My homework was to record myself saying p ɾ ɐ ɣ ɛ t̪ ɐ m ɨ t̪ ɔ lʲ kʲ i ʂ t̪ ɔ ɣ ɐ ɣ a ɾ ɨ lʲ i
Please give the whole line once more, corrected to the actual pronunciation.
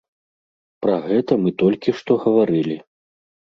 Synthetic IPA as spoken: p ɾ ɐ ɣ ɛ t̪ ɐ m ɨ t̪ ɔ lʲ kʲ i ʂ t̪ ɔ ɣ ɐ v a ɾ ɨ lʲ i